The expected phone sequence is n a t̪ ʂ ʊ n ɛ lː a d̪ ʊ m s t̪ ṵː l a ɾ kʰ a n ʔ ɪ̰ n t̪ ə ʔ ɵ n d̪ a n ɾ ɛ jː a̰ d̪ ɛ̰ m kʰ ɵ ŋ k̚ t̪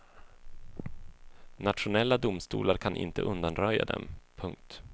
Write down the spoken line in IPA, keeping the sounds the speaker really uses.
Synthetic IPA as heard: n a t̪ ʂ ʊ n ɛ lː a d̪ ʊ m s t̪ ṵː l a ɾ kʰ a n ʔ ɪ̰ n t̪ ə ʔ ɵ n d̪ a n ɾ œ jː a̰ d̪ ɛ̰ m pʰ ɵ ŋ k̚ t̪